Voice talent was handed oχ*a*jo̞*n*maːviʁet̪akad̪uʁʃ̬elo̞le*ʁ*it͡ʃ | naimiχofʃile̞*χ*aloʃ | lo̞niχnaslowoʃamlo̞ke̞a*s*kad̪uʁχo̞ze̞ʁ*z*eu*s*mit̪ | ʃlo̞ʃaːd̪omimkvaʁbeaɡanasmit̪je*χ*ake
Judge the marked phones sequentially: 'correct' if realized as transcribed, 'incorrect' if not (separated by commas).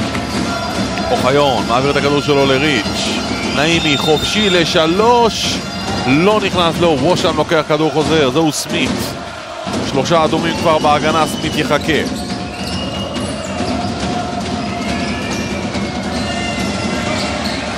correct, correct, correct, incorrect, incorrect, correct, correct, correct